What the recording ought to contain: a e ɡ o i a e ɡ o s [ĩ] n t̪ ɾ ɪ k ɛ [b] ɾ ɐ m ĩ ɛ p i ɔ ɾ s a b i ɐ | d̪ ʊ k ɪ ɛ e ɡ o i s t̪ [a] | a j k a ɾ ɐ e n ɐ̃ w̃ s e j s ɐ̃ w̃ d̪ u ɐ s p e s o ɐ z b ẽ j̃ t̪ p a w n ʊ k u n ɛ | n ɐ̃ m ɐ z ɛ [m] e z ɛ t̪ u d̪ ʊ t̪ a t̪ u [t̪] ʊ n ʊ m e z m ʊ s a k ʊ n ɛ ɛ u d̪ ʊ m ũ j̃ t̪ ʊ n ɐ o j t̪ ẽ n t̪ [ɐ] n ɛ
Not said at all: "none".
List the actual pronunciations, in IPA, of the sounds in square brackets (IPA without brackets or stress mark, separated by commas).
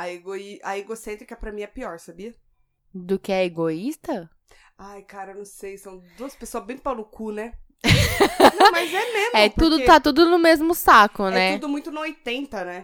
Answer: ẽ, p, ɐ, m, d̪, ɐ